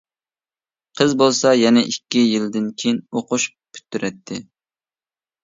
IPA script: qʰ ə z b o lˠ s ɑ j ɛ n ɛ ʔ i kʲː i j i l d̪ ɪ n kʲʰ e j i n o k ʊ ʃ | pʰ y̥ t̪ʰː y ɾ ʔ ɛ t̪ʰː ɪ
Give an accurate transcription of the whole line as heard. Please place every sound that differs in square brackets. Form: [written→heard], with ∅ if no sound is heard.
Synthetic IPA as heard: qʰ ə z b o lˠ s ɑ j ɛ n ɛ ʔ i kʲː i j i l d̪ ɪ n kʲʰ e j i n o [k→q] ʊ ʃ | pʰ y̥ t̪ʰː y ɾ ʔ ɛ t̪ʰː ɪ